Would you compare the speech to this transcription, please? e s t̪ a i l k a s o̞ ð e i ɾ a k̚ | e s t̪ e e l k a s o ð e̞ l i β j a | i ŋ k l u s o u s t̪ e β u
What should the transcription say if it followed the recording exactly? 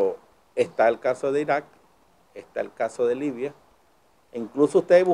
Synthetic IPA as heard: e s t̪ a e l k a s o̞ ð e i ɾ a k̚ | e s t̪ a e l k a s o ð e̞ l i β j a | i ŋ k l u s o u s t̪ e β u